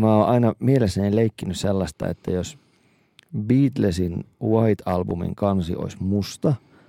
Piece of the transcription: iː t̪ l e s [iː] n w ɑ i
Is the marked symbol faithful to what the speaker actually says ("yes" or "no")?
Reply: no